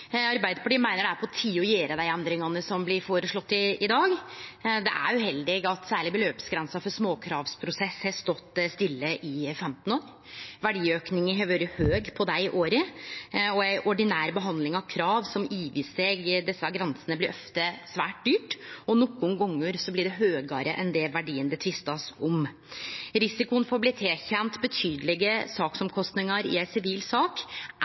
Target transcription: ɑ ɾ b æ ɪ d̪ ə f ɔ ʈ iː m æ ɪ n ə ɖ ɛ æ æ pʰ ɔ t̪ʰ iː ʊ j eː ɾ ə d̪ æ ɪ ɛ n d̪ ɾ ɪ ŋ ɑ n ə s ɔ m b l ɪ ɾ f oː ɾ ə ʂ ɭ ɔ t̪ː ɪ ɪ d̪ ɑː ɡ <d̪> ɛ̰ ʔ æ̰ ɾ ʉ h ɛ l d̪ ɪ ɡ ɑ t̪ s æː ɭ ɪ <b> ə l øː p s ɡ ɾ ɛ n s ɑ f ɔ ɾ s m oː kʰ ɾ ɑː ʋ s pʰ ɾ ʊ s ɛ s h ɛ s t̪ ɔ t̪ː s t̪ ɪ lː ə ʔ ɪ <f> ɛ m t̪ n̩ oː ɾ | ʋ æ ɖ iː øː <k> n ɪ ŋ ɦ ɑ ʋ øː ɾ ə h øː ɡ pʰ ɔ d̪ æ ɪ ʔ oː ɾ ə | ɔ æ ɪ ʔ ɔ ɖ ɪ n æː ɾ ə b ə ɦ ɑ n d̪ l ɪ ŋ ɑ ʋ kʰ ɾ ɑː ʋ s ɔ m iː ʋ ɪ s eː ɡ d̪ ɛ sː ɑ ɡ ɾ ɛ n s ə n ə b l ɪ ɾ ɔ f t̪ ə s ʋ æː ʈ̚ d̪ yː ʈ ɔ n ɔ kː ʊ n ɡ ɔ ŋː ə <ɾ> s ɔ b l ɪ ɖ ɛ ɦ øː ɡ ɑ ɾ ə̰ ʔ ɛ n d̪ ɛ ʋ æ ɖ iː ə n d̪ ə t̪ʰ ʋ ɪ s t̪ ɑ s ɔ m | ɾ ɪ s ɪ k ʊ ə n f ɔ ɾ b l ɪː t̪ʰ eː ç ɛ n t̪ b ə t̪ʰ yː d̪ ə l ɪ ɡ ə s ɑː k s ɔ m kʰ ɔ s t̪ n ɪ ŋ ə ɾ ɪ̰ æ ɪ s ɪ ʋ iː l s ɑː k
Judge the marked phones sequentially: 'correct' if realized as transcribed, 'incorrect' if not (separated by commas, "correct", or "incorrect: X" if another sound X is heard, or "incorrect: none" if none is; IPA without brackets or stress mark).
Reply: correct, correct, correct, correct, correct